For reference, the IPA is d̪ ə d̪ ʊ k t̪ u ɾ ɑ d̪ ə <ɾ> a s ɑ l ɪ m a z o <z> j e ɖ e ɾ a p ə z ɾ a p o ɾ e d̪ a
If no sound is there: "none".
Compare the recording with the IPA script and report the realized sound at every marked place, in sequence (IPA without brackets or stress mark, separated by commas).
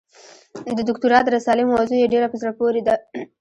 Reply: ɾ, none